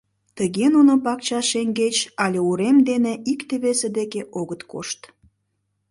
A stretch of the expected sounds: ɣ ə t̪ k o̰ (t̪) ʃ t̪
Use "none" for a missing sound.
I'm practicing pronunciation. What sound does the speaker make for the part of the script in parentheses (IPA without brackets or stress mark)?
none